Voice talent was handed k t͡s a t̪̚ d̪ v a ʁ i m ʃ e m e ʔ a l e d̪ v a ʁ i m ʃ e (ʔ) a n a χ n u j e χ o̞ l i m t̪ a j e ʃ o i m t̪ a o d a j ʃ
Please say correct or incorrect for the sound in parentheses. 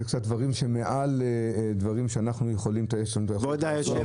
incorrect